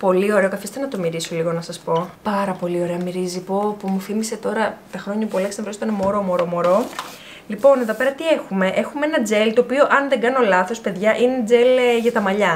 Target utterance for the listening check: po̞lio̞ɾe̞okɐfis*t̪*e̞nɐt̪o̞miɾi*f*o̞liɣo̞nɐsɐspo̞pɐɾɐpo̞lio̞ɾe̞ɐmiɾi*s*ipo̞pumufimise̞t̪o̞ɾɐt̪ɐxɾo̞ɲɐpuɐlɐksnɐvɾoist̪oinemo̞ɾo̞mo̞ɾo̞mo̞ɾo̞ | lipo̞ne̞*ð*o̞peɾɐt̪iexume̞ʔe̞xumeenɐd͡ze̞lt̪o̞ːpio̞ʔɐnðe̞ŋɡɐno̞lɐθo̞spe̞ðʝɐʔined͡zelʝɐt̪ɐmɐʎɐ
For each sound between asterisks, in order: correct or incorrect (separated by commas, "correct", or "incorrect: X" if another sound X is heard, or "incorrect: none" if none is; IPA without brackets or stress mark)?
correct, incorrect: s, incorrect: z, correct